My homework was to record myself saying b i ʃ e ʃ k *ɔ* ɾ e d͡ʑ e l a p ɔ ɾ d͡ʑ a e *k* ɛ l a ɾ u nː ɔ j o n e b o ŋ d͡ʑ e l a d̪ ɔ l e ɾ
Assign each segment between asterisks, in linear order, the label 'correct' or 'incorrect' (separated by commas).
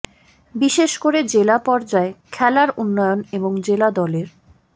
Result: incorrect, incorrect